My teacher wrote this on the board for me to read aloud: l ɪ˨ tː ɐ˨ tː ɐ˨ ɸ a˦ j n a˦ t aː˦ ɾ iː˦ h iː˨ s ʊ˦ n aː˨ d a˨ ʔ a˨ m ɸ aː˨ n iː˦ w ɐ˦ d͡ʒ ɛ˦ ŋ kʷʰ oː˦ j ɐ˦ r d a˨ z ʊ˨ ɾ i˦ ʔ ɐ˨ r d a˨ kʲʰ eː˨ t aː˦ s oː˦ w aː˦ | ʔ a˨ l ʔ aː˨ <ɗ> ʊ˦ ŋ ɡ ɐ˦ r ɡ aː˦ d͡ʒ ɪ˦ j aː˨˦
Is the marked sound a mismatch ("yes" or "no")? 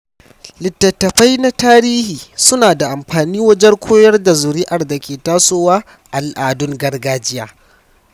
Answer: yes